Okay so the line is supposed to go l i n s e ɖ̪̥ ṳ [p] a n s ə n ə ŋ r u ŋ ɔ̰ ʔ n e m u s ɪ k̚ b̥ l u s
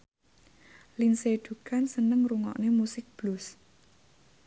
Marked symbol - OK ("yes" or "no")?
no